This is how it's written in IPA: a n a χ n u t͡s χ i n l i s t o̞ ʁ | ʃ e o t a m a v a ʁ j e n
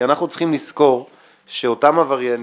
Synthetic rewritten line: a n a χ n u t͡s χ i m l i s k o̞ ʁ | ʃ e o t a m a v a ʁ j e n